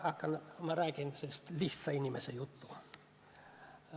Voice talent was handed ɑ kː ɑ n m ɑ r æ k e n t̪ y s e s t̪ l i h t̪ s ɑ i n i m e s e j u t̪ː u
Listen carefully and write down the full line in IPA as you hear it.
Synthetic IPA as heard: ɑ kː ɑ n m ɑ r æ k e n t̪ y s e s t̪ l i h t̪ s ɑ i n i m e s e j u t̪ː u